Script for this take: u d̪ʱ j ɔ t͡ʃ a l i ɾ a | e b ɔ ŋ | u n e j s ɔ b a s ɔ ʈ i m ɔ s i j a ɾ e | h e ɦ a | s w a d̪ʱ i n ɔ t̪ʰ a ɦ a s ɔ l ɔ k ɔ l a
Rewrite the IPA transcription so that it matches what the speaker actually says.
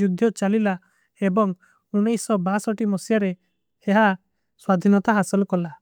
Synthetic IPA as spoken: u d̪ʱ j ɔ t͡ʃ a l i l a | e b ɔ ŋ | u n e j s ɔ b a s ɔ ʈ i m ɔ s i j a ɾ e | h e ɦ a | s w a d̪ʱ i n ɔ t̪ a ɦ a s ɔ l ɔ k ɔ l a